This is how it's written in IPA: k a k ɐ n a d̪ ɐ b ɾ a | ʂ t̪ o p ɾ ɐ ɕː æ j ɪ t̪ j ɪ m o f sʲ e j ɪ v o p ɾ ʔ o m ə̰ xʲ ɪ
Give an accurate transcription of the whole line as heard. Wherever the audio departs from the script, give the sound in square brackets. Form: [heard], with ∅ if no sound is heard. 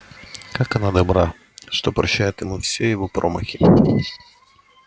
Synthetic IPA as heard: k a k ɐ n a d̪ ɐ b ɾ a | ʂ t̪ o p ɾ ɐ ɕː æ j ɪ t̪ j ɪ m [u] f sʲ e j ɪ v o p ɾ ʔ o m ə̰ xʲ ɪ